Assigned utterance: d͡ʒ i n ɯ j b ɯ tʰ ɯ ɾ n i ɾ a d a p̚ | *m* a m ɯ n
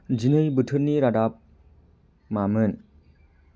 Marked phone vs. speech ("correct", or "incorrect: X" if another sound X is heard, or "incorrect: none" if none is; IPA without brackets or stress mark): correct